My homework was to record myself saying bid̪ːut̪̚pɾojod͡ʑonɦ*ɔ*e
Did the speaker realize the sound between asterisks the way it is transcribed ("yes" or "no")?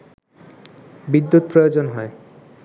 yes